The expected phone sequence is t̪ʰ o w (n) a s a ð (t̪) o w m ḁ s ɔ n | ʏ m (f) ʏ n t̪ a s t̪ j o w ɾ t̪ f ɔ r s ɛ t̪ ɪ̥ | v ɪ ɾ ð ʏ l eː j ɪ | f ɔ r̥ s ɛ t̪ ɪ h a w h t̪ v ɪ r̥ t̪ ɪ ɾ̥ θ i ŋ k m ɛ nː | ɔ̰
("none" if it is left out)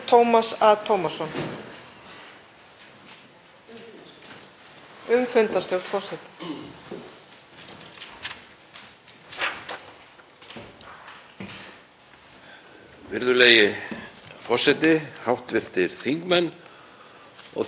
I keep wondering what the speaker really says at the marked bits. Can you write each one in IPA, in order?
m, t̪ʰ, f

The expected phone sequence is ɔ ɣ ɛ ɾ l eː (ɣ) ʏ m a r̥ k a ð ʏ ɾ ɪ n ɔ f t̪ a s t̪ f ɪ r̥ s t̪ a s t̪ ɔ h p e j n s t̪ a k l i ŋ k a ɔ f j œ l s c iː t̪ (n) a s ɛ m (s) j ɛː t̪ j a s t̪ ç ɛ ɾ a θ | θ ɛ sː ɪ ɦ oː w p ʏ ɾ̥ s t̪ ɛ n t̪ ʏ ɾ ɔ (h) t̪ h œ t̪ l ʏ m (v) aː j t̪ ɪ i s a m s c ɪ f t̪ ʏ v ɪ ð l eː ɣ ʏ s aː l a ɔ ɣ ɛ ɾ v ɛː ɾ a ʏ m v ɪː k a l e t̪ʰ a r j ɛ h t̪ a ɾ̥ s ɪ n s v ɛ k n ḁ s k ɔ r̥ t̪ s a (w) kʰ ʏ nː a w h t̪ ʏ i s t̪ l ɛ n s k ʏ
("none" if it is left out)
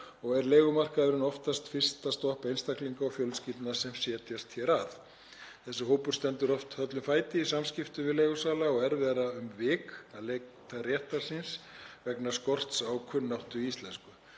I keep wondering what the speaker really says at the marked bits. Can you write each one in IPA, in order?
ɣ, n, s, f, f, w

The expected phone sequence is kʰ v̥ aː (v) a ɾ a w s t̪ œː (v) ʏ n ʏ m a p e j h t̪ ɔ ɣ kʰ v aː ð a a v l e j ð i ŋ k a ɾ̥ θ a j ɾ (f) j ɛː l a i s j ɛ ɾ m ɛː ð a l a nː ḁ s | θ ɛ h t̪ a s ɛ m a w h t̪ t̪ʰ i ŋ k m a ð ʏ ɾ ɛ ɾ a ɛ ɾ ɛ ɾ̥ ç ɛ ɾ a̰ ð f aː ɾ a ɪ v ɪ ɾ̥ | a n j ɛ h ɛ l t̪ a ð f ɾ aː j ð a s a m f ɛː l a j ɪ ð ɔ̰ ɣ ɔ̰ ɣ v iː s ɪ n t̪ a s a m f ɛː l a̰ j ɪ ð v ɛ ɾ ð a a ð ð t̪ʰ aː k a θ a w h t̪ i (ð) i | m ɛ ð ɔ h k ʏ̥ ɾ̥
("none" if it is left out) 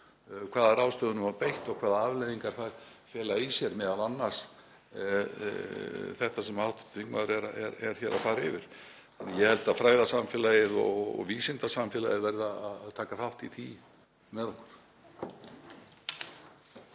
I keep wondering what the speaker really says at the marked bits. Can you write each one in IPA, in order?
ð, ð, f, θ

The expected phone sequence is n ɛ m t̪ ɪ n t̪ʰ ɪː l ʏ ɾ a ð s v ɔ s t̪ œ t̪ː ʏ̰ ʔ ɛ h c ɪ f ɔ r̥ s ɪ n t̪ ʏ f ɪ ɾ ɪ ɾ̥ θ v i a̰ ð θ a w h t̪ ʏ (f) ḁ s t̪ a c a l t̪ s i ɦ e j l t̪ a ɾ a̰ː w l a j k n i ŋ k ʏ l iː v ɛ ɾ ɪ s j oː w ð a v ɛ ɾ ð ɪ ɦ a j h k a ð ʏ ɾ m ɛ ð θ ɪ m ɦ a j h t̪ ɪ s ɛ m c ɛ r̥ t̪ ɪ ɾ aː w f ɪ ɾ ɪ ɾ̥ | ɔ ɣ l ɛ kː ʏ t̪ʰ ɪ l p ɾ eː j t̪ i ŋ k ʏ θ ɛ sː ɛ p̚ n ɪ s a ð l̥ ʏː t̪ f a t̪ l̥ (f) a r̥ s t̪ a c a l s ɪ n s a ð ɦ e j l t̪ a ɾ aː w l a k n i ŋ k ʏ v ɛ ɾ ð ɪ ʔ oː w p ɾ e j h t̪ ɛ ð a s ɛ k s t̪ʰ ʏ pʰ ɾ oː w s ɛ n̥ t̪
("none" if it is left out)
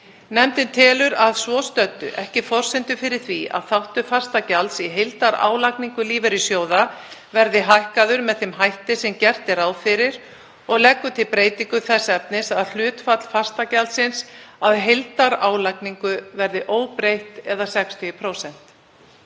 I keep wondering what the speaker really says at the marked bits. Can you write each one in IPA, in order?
f, f

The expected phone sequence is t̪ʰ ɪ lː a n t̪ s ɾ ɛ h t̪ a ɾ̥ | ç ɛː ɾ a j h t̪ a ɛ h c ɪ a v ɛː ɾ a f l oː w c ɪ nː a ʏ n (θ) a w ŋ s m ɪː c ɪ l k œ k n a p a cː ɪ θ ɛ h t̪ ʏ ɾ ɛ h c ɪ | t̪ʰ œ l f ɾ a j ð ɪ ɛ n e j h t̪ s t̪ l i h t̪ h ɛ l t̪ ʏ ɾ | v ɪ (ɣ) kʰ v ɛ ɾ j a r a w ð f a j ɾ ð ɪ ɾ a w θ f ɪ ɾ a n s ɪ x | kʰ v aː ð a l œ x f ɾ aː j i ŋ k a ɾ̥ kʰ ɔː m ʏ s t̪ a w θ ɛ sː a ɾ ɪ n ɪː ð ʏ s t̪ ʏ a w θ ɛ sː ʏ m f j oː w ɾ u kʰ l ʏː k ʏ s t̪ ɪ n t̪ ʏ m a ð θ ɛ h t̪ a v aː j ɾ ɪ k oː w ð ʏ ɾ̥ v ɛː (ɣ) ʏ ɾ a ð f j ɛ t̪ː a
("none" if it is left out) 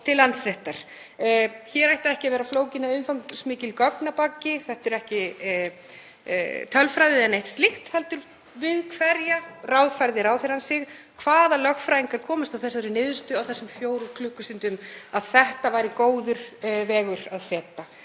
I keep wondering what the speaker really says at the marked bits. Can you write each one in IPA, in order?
f, ð, ɣ

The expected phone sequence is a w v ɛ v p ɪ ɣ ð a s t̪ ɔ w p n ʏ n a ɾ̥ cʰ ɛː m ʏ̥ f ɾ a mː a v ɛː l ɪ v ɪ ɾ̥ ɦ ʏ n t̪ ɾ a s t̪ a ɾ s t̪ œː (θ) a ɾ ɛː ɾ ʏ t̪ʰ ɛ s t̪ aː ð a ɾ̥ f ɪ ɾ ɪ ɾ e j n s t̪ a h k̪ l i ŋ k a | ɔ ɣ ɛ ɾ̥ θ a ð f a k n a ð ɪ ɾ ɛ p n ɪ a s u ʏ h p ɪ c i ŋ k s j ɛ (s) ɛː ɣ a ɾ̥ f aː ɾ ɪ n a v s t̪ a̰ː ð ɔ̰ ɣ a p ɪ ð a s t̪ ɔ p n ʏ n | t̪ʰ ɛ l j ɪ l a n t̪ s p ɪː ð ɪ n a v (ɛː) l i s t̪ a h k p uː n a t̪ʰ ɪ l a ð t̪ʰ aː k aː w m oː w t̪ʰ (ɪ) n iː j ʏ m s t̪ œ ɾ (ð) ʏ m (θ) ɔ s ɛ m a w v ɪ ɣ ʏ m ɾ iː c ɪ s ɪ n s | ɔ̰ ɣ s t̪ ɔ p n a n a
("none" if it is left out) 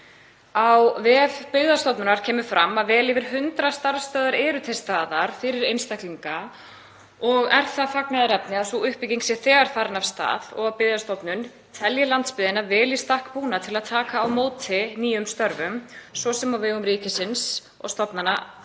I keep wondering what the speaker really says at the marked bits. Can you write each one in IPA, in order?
ð, θ, ɛː, ɪ, v, s

